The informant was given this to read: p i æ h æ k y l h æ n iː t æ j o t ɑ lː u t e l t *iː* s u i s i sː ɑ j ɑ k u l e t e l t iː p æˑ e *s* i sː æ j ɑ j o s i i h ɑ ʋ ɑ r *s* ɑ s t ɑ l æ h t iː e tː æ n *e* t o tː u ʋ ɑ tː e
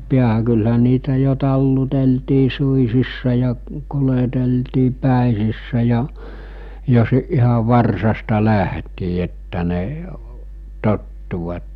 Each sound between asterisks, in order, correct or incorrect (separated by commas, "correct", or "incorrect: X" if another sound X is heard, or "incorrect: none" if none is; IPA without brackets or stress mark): correct, correct, correct, correct